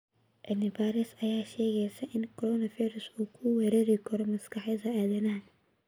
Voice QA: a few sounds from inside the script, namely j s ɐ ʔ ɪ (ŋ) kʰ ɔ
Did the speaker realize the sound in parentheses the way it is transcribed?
no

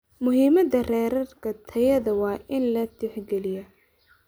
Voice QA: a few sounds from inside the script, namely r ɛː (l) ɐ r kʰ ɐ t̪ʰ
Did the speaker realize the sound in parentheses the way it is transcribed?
no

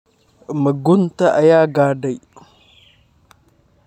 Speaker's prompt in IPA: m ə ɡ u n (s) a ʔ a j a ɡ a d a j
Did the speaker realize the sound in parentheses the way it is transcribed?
no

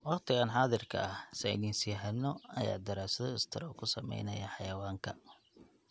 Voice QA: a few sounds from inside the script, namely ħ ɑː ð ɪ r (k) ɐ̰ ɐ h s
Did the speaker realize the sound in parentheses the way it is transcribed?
no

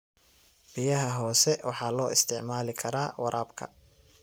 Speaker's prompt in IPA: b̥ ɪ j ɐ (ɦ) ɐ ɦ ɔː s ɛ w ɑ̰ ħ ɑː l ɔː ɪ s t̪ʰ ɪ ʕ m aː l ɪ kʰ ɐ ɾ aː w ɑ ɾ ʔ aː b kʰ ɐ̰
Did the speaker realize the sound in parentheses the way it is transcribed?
yes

